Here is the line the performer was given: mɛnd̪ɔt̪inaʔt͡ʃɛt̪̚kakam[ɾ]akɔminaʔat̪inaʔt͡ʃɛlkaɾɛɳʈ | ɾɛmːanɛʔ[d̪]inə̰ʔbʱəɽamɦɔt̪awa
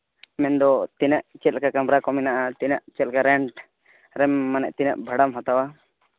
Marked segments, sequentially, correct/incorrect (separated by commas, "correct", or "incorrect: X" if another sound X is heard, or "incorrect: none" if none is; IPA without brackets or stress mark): correct, incorrect: t̪